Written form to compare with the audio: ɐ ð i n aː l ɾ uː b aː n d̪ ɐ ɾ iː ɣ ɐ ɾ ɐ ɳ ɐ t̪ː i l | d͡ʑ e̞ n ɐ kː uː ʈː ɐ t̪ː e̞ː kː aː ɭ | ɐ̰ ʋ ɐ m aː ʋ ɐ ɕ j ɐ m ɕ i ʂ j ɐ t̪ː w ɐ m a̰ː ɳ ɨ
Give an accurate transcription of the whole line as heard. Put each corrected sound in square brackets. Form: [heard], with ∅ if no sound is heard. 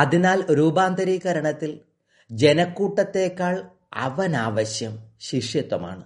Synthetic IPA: ɐ ð i n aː l ɾ uː b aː n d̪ ɐ ɾ iː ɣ ɐ ɾ ɐ ɳ ɐ t̪ː i l | d͡ʑ e̞ n ɐ kː uː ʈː ɐ t̪ː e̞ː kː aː ɭ | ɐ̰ ʋ ɐ [n] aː ʋ ɐ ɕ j ɐ m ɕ i ʂ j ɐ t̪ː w ɐ m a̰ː ɳ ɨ